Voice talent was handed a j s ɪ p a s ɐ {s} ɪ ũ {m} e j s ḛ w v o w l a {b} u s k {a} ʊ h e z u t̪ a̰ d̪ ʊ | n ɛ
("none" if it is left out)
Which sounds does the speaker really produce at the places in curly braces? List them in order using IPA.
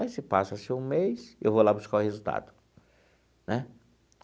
s, m, b, a

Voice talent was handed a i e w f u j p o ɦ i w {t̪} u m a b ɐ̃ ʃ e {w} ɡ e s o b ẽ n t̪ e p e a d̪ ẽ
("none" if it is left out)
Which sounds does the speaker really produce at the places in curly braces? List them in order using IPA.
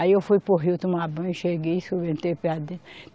t̪, none

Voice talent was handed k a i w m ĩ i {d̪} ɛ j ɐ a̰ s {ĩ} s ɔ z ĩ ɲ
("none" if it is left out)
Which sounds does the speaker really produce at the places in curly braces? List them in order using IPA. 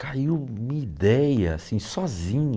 d̪, ĩ

